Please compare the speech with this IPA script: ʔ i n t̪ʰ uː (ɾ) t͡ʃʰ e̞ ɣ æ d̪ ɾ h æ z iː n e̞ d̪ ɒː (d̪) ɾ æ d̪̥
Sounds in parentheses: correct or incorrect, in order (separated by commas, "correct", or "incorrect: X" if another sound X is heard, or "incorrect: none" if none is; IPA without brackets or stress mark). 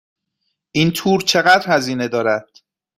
correct, incorrect: none